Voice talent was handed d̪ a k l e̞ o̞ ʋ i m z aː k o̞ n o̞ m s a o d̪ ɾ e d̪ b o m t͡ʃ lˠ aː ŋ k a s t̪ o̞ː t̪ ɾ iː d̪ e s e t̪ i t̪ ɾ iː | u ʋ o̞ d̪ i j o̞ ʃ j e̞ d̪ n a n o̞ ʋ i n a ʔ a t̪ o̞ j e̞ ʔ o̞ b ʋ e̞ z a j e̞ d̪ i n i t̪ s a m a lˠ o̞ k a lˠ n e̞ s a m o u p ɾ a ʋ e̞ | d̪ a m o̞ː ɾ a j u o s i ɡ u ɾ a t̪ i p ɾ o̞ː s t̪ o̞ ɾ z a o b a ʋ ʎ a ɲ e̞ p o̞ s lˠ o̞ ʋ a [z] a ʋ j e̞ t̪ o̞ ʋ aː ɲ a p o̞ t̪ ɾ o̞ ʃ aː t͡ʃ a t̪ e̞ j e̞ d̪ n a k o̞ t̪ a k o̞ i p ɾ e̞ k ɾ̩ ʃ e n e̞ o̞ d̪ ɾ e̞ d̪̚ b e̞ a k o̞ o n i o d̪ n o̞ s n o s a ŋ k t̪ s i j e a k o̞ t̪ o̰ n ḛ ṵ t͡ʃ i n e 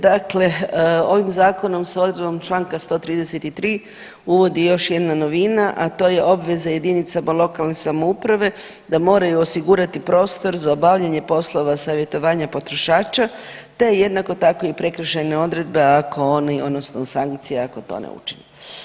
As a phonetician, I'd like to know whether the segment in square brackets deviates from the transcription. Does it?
yes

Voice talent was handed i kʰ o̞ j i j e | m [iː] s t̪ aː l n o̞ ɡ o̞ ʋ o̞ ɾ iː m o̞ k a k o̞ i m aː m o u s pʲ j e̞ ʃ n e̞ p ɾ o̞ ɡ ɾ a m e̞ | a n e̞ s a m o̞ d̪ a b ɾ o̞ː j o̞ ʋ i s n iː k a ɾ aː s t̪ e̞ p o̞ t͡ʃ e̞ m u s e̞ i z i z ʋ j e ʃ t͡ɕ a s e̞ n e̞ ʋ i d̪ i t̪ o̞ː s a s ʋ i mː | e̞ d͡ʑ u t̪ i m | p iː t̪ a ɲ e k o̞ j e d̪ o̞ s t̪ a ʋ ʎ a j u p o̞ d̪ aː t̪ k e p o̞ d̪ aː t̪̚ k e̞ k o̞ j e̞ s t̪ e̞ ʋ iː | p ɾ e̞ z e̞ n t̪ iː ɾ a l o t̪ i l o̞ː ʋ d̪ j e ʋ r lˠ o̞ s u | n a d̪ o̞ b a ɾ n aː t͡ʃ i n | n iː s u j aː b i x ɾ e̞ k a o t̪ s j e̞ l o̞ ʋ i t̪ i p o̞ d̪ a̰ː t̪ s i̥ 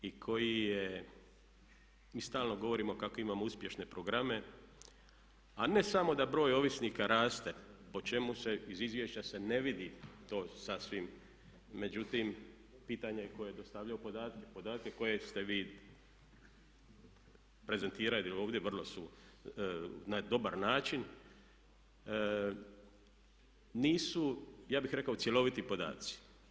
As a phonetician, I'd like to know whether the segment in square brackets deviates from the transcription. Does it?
no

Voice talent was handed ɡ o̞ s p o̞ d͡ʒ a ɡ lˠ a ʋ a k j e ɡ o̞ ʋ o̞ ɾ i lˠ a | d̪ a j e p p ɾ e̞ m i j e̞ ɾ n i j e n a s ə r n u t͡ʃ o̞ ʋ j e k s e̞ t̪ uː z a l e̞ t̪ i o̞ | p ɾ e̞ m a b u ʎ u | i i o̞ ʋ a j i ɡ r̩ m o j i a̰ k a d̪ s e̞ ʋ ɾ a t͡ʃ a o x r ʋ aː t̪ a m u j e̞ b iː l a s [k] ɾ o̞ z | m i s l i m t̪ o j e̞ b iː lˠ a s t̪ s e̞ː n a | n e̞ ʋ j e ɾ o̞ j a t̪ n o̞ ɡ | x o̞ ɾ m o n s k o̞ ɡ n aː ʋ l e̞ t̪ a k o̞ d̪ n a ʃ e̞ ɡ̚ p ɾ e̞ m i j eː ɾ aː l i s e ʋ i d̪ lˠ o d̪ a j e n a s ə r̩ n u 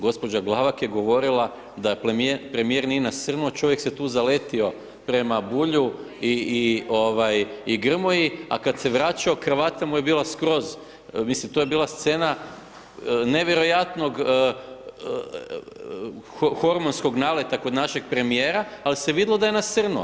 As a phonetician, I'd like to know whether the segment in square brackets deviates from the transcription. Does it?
no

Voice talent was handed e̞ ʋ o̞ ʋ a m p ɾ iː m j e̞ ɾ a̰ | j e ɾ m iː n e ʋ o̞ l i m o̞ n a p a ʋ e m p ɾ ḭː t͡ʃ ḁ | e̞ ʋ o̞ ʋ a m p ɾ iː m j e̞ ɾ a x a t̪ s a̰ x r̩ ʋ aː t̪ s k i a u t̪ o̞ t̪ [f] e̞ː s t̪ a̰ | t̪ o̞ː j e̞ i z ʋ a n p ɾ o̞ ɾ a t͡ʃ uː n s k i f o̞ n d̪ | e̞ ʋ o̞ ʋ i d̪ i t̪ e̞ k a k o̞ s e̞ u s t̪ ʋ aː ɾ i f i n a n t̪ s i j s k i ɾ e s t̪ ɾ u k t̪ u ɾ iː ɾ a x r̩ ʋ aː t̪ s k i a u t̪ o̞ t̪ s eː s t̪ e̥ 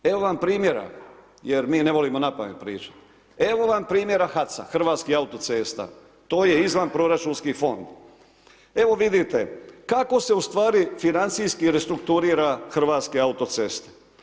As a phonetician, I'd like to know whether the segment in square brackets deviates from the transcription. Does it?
yes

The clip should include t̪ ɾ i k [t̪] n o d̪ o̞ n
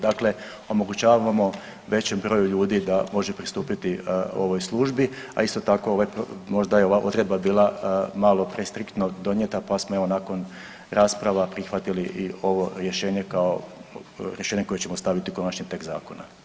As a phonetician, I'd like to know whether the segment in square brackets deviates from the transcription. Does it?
no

